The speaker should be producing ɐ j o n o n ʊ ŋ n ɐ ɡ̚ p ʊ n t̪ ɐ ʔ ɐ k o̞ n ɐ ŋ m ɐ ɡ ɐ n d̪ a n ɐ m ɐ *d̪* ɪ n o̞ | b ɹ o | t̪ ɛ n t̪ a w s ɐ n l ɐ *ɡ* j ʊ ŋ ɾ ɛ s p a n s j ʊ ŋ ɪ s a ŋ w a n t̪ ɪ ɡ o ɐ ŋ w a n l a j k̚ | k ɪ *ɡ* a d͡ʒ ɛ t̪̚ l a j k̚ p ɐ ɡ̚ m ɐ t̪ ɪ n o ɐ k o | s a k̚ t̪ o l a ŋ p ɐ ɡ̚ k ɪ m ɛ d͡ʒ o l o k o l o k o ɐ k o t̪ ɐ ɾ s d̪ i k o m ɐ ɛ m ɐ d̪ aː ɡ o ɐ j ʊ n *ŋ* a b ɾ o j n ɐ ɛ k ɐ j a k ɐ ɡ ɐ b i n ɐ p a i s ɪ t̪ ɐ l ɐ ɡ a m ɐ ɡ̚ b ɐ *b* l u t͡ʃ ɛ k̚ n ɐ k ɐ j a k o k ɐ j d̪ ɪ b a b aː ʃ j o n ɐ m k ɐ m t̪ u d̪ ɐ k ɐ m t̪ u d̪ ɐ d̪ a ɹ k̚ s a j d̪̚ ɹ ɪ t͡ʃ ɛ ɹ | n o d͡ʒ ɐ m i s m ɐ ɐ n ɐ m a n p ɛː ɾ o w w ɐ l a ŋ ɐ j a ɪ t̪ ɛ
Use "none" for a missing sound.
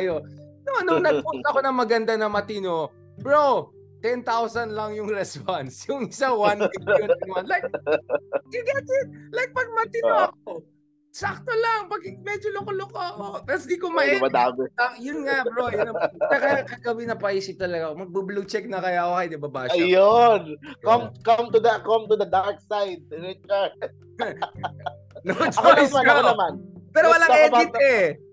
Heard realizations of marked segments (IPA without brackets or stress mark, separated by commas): t̪, ŋ, ɡ, ŋ, b